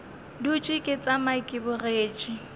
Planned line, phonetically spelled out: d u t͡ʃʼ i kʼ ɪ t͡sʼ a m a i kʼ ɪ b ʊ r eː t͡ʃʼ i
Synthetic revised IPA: d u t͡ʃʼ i kʼ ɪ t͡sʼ a m a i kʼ ɪ b ʊ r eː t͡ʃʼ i